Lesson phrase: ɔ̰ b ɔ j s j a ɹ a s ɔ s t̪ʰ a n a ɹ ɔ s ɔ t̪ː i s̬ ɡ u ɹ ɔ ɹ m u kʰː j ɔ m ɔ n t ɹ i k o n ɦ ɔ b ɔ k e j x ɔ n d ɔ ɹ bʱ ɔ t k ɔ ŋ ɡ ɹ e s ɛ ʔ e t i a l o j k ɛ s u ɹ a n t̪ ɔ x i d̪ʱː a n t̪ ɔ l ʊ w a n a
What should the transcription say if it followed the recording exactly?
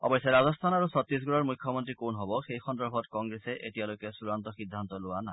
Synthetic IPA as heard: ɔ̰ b ɔ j s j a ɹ a z ɔ s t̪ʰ a n a ɹ u s ɔ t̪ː i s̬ ɡ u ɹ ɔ ɹ m u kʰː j ɔ m ɔ n t ɹ i k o n ɦ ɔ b ɔ x e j x ɔ n d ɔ ɹ bʱ ɔ t k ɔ ŋ ɡ ɹ e s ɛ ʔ e t i a l o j k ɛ s u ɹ a n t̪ ɔ x i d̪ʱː a n t̪ ɔ l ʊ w a n a